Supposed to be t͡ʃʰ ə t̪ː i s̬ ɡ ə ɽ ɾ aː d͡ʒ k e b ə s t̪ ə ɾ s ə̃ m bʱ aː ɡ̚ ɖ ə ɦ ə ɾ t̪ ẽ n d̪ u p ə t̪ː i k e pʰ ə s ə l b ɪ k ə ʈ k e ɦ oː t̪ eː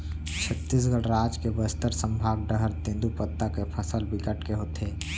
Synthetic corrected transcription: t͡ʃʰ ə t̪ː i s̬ ɡ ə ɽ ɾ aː d͡ʒ k e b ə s t̪ ə ɾ s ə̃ m bʱ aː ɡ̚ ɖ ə ɦ ə ɾ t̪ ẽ n d̪ u p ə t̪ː a k e pʰ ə s ə l b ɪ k ə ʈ k e ɦ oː t̪ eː